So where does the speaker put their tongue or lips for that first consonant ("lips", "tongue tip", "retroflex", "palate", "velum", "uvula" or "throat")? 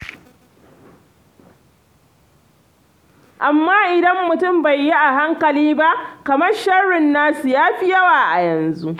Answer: throat